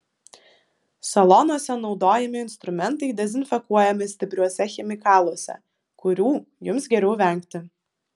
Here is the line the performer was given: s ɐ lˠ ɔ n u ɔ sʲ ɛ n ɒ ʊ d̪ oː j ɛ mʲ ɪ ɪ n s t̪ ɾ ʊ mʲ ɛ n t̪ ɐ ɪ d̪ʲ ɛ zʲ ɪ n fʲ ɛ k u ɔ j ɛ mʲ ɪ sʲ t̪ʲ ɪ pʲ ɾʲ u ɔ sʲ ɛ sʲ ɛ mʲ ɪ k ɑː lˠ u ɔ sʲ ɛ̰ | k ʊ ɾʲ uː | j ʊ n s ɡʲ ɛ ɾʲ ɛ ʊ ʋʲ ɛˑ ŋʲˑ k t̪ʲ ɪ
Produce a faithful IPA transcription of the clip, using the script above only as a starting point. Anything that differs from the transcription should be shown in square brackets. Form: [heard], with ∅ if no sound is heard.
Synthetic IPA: s ɐ lˠ ɔ n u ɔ sʲ ɛ n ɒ ʊ d̪ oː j ɛ mʲ ɪ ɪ n s t̪ ɾ ʊ mʲ ɛ n t̪ ɐ ɪ d̪ʲ ɛ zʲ ɪ n fʲ ɛ k u ɔ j ɛ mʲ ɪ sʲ t̪ʲ ɪ pʲ ɾʲ u ɔ sʲ ɛ [xʲ] ɛ mʲ ɪ k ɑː lˠ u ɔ sʲ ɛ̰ | k ʊ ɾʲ uː | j ʊ [m] s ɡʲ ɛ ɾʲ ɛ ʊ ʋʲ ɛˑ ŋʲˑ k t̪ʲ ɪ